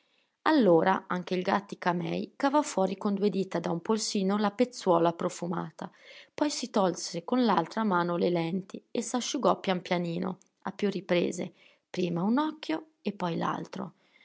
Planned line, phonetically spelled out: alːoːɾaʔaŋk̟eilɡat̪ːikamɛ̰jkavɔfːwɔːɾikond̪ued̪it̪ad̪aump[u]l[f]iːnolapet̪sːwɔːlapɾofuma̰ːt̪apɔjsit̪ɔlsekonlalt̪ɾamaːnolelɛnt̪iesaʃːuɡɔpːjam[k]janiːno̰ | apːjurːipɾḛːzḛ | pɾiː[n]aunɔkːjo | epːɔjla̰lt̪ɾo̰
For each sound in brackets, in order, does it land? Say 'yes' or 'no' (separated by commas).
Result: no, no, no, no